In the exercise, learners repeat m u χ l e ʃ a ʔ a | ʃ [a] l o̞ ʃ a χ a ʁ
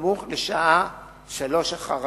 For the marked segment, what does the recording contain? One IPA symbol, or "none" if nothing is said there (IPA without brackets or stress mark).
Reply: a